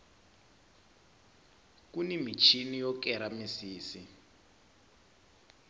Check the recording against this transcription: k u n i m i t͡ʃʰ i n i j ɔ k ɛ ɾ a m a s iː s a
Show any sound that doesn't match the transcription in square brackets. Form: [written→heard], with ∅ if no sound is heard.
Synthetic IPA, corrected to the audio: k u n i m i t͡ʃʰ i n i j ɔ k ɛ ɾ a m [a→i] s iː s [a→i]